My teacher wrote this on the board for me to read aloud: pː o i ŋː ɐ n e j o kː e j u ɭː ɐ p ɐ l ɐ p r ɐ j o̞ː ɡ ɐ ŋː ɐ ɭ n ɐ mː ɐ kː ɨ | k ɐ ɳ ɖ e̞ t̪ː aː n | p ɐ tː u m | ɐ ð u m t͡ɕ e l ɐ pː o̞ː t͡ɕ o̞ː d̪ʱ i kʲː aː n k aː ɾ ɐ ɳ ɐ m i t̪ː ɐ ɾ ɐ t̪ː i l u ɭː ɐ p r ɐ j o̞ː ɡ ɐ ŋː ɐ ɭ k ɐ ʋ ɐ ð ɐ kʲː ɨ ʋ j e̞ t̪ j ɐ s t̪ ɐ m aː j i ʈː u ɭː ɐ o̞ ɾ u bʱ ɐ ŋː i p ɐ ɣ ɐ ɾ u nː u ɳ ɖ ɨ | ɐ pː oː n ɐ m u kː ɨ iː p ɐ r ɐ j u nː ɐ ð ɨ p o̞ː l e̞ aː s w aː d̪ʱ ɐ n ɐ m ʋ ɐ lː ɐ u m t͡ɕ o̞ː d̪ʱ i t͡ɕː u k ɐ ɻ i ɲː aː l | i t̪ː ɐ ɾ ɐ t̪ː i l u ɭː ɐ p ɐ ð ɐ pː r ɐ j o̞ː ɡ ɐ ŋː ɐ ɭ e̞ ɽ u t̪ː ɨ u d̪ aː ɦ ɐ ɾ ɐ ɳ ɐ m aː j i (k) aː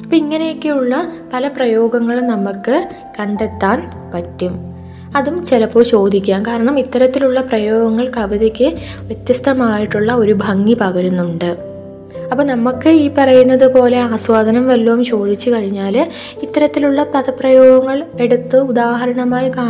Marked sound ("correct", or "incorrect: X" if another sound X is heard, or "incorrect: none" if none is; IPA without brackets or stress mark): correct